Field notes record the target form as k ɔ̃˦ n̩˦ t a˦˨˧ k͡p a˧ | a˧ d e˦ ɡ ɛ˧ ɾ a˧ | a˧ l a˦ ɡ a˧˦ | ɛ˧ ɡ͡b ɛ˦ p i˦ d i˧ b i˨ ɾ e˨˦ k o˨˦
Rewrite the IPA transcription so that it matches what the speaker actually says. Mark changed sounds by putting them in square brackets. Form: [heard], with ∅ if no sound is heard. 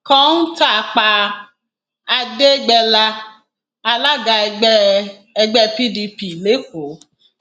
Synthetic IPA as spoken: k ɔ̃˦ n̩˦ t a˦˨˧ k͡p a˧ | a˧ d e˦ [ɡ͡b] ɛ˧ [l] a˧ | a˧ l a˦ ɡ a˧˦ | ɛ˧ ɡ͡b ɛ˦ p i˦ d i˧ [p] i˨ [l] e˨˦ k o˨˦